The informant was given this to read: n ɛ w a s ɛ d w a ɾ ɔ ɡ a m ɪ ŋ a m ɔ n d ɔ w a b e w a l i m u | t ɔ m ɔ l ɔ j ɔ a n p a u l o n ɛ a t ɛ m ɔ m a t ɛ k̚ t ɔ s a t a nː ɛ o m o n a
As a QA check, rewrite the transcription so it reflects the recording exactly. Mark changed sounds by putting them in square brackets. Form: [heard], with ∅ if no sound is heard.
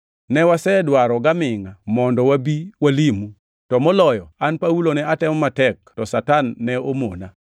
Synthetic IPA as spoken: n ɛ w a s ɛ d w a ɾ ɔ ɡ a m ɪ ŋ a m ɔ n d ɔ w a b [i] w a l i m u | t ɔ m ɔ l ɔ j ɔ a n p a u l o n ɛ a t ɛ m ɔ m a t ɛ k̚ t ɔ s a t a nː ɛ o m o n a